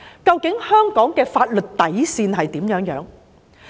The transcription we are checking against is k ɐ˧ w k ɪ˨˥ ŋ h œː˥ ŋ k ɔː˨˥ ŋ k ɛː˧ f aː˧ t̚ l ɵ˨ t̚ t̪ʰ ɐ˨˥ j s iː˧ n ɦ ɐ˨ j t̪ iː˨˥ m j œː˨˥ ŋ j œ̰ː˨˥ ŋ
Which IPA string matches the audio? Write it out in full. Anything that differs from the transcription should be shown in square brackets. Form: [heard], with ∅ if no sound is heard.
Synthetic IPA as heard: k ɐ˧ w k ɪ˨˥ ŋ h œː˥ ŋ k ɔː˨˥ ŋ k ɛː˧ f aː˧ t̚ l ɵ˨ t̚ [t̪] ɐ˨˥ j s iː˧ n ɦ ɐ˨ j t̪ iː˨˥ m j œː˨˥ ŋ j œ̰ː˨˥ ŋ